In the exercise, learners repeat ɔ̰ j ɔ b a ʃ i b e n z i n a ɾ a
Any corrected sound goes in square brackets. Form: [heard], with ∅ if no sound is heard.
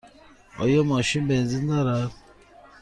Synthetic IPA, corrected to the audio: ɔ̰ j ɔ [m] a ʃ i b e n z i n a ɾ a